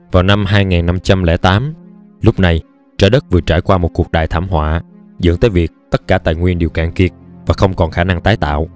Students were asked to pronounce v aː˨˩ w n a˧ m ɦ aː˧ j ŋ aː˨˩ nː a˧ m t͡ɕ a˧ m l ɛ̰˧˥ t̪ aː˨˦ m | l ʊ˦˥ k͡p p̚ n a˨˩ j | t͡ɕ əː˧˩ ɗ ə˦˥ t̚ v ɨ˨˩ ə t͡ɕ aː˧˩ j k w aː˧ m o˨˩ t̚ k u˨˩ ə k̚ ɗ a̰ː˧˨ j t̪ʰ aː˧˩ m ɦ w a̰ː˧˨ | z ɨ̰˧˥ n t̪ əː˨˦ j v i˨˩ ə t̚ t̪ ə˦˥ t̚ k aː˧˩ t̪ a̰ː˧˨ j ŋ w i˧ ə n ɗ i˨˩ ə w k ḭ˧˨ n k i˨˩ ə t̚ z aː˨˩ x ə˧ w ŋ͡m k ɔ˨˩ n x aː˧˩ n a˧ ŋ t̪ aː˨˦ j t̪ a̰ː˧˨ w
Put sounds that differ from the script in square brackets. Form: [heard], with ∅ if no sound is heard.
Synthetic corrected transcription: v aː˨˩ w n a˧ m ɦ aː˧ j ŋ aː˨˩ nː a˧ m t͡ɕ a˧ m l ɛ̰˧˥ t̪ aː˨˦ m | l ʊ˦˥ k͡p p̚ n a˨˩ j | t͡ɕ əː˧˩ ɗ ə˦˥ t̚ v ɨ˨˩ ə t͡ɕ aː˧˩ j k w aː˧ m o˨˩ t̚ k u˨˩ ə k̚ ɗ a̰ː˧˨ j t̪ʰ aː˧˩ m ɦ w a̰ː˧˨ | z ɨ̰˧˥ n t̪ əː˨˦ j v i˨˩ ə [k̚] t̪ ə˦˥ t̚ k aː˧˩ t̪ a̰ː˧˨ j ŋ w i˧ ə n ɗ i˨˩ ə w k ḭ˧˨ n k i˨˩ ə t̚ [v] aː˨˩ x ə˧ w ŋ͡m k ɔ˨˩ n x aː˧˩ n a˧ ŋ t̪ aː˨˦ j t̪ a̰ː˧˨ w